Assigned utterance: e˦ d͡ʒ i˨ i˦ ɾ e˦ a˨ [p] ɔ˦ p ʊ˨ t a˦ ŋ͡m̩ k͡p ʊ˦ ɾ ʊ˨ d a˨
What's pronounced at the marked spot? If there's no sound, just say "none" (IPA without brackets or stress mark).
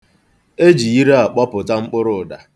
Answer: k͡p